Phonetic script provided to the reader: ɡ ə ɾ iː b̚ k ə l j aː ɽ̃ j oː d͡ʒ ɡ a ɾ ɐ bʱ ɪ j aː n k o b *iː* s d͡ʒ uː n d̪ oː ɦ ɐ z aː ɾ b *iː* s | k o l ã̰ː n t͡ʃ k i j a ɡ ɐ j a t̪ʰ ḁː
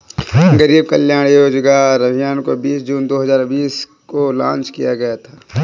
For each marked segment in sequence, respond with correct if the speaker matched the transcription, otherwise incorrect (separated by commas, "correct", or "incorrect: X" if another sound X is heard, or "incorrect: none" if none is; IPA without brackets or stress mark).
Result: correct, correct